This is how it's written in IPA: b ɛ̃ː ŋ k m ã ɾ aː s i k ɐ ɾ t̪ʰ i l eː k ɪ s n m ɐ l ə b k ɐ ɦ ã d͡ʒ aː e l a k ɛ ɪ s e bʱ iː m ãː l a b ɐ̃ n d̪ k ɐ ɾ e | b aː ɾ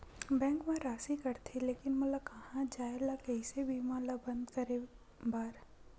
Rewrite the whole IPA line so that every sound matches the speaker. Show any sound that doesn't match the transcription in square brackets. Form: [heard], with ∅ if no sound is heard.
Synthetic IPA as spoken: b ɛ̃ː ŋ k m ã ɾ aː s i k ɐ ɾ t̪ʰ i l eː k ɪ [∅] n m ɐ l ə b k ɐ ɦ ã d͡ʒ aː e l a k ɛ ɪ s e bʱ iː m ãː l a b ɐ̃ n d̪ k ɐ ɾ e | b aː ɾ